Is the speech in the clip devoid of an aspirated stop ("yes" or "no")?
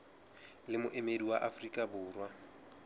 yes